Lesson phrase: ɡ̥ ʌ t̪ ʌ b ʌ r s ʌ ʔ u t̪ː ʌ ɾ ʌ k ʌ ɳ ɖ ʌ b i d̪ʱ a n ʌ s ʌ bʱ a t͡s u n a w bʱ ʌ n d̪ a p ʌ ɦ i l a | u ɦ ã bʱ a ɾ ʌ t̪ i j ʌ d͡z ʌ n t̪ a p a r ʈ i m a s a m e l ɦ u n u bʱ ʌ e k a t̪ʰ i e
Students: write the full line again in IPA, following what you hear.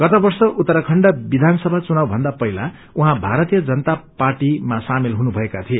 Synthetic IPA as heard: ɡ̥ ʌ t̪ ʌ b ʌ r s ʌ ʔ u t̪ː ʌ ɾ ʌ kʰ ʌ ɳ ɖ ʌ b i d̪ʱ a n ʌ s ʌ bʱ a t͡s u n a w bʱ ʌ n d̪ a p ʌ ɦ i l a | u ɦ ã bʱ a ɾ ʌ t̪ i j ʌ d͡z ʌ n t̪ a p a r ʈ i m a s a m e l ɦ u n u bʱ ʌ e k a t̪ʰ i e